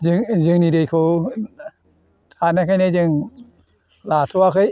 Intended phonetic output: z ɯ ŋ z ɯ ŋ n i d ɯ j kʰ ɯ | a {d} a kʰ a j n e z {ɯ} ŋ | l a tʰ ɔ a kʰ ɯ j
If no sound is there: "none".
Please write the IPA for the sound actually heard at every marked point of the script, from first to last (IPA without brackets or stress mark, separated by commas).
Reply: n, ɯ